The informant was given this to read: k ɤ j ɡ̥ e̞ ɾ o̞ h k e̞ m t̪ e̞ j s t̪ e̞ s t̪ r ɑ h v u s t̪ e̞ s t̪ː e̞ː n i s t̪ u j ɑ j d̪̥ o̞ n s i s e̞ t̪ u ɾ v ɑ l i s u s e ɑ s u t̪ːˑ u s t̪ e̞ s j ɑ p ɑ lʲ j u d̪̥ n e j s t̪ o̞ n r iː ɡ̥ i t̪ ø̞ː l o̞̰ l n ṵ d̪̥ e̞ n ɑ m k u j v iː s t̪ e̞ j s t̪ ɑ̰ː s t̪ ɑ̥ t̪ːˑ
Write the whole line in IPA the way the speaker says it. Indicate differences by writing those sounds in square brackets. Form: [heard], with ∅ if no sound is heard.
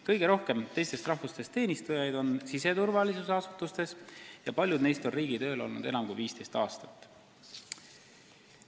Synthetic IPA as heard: k ɤ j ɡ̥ e̞ ɾ o̞ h k e̞ m t̪ e̞ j s t̪ e̞ s t̪ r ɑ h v u s t̪ e̞ s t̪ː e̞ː n i s t̪ u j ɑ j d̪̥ o̞ n s i s e̞ t̪ u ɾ v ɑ l i s u s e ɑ s u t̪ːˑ u s t̪ e̞ s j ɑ p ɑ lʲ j u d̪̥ n e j s t̪ o̞ n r iː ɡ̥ i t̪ ø̞ː l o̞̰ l n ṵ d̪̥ e̞ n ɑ m k u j v iː s t̪ e̞ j s t̪ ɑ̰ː s t̪ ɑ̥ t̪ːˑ

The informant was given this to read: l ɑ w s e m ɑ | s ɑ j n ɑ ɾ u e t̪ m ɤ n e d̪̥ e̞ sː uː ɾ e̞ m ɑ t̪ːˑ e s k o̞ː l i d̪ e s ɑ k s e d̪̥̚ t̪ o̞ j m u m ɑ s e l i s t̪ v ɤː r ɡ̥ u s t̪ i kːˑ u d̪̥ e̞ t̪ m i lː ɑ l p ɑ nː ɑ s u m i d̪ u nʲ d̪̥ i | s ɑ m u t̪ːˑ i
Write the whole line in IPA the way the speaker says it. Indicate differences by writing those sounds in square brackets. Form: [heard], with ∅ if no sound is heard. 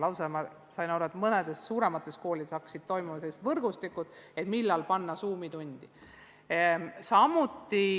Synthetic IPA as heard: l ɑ w s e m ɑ | s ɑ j n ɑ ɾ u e t̪ m ɤ n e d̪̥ e̞ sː uː ɾ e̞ m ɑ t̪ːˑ e s k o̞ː l i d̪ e s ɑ k s [i] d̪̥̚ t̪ o̞ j m u m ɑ s e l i s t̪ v [ɤ] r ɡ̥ u s t̪ i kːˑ u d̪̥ e̞ t̪ m i lː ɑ l p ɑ nː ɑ s [uː] m i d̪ u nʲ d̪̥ i | s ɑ m u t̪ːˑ i

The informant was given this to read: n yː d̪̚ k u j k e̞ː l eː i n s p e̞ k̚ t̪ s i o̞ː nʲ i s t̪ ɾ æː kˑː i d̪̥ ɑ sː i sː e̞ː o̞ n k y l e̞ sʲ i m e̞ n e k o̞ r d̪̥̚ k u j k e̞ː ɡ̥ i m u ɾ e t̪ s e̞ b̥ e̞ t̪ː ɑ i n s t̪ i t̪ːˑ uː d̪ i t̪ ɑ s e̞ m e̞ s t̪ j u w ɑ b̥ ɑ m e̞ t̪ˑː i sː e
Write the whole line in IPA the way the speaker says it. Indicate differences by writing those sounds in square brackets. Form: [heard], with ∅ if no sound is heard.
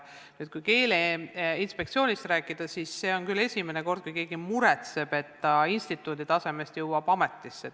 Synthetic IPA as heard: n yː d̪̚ k u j k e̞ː l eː i n s p e̞ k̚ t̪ s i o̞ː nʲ i s t̪ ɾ æː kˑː i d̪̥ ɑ [s] i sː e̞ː o̞ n k y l e̞ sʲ i m e̞ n e k o̞ r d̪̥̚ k u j k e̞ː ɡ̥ i m u ɾ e t̪ s e̞ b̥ e̞ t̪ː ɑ i n s t̪ i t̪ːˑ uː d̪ i t̪ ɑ s e̞ m e̞ s t̪ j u w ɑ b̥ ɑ m e̞ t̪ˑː i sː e

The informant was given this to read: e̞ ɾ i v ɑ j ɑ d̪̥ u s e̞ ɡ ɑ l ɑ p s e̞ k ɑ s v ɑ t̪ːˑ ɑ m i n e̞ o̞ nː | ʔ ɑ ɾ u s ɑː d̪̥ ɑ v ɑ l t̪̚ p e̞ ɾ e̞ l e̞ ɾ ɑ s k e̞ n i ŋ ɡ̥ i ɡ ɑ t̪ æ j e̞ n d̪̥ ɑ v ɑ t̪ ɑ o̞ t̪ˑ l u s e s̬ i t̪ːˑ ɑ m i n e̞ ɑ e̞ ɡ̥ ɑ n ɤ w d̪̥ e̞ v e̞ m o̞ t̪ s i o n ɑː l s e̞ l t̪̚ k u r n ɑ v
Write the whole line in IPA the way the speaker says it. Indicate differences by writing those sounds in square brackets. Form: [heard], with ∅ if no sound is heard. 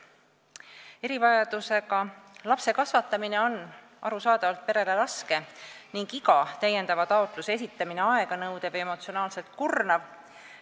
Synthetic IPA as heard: e̞ ɾ i v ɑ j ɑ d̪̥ u s e̞ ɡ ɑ l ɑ p s e̞ k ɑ s v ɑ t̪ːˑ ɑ m i n e̞ o̞ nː | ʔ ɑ ɾ u s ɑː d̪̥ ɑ v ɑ l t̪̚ p e̞ ɾ e̞ l e̞ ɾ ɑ s k e̞ n i ŋ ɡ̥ i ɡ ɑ t̪ æ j e̞ n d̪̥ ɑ v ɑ t̪ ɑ o̞ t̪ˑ l u s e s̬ i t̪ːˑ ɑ m i n e̞ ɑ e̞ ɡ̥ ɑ n ɤ w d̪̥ e̞ v e̞ m o̞ t̪ s i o n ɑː l s e̞ l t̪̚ k u r n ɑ v

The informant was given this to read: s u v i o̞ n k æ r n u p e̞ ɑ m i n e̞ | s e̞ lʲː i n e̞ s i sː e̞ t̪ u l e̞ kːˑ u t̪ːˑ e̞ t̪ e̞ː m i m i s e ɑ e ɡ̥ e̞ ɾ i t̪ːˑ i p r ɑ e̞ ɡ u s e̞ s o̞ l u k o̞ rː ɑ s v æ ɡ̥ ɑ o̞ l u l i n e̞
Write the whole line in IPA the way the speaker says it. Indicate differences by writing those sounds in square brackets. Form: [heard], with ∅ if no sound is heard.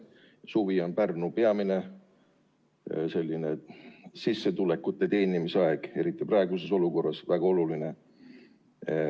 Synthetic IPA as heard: s u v i o̞ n [p] æ r n u p e̞ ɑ m i n e̞ | s e̞ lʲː i n e̞ s i sː e̞ t̪ u l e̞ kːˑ u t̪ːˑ e̞ t̪ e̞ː [n] i m i s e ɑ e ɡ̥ e̞ ɾ i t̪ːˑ i p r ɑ e̞ ɡ u s e̞ s o̞ l u k o̞ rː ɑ s v æ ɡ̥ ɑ o̞ l u l i n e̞

